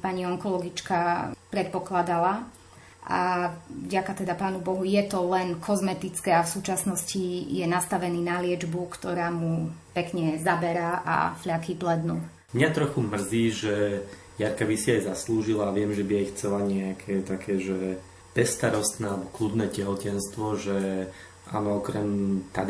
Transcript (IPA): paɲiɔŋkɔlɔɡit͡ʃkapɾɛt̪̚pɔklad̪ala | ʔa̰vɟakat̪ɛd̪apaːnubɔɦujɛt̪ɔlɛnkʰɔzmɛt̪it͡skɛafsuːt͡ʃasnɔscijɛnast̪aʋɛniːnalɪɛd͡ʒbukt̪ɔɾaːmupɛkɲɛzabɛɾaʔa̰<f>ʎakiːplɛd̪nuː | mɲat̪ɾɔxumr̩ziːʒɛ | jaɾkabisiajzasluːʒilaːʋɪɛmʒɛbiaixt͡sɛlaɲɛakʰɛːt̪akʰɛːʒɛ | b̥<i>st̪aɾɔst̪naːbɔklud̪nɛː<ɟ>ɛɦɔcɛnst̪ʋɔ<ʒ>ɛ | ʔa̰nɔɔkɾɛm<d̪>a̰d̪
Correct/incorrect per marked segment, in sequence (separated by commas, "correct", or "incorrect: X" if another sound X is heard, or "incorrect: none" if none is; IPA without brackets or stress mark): correct, incorrect: ɛ, incorrect: c, correct, incorrect: t̪